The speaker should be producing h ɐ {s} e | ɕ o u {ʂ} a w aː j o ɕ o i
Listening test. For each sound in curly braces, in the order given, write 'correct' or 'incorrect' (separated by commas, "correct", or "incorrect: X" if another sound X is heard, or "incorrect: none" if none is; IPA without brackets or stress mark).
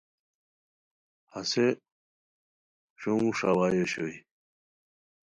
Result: correct, correct